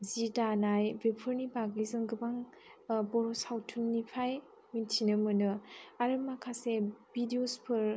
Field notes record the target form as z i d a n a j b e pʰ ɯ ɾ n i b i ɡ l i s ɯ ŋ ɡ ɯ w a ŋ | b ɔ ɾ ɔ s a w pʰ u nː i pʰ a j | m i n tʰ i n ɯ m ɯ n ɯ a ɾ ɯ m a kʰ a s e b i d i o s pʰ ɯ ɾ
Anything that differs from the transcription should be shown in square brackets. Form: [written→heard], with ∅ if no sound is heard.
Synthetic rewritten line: z i d a n a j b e pʰ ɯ ɾ n i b [i→a] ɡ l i [s→z] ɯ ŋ ɡ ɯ [w→b] a ŋ | b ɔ ɾ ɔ s a w [pʰ→tʰ] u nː i pʰ a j | m i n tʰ i n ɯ m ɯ n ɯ a ɾ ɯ m a kʰ a s e b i d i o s pʰ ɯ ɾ

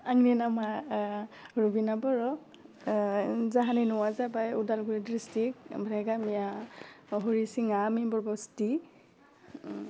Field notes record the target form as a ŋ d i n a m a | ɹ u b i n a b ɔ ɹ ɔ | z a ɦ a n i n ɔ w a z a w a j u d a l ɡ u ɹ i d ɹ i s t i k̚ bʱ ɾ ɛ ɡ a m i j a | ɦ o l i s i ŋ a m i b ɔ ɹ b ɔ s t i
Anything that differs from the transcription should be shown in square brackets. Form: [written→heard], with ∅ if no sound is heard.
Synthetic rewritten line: a ŋ [d→n] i n a m a | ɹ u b i n a b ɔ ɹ ɔ | z a ɦ a n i n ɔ w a z a [w→b] a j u d a l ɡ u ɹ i d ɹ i s t i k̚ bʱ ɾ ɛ ɡ a m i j a | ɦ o [l→ɹ] i s i ŋ a m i b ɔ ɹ b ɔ s t i

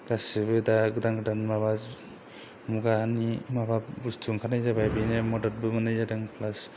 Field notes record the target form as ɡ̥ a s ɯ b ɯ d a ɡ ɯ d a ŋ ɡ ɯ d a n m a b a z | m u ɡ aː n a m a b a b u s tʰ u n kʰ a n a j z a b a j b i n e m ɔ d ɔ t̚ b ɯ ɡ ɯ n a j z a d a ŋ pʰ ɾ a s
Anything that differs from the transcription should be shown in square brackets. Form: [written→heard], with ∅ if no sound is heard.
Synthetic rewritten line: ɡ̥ a s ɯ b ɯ d a ɡ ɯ d a ŋ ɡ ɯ d a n m a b a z | m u ɡ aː n [a→i] m a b a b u s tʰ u [n→ŋ] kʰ a n a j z a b a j b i n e m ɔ d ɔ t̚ b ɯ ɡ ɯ n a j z a d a ŋ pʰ [ɾ→l] a s

